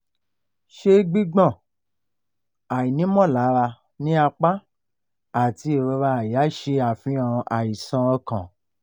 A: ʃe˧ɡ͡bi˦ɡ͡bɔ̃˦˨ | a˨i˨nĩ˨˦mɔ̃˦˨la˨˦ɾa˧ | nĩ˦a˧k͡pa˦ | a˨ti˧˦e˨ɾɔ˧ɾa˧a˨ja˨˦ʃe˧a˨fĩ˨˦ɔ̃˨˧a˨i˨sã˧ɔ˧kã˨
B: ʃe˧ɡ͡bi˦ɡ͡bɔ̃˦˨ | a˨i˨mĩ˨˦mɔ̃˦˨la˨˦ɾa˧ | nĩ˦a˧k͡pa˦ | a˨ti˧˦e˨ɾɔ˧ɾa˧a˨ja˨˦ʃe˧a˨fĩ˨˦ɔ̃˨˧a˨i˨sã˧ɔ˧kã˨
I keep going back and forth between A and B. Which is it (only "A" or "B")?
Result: A